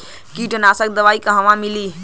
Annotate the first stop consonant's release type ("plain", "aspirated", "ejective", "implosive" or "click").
plain